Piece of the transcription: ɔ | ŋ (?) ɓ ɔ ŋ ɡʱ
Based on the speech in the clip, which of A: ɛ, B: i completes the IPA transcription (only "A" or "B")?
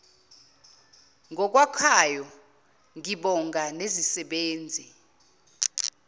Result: B